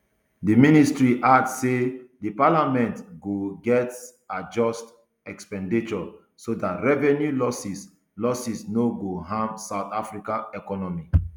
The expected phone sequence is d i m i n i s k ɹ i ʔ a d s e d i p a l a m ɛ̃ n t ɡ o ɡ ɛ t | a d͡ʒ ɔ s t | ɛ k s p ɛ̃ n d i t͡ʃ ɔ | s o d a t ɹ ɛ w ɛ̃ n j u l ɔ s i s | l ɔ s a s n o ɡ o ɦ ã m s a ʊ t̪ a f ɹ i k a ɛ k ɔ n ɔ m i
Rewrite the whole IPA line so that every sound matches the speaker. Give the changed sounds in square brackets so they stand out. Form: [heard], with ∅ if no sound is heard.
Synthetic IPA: d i m i n i s [t] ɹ i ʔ a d s e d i p a l a m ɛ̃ n t ɡ o ɡ ɛ t | a d͡ʒ ɔ s t | ɛ k s p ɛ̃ n d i t͡ʃ ɔ | s o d a t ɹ ɛ [v] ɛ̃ n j u l ɔ s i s | l ɔ s [i] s n o ɡ o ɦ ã m s a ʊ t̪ a f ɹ i k a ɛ k ɔ n ɔ m i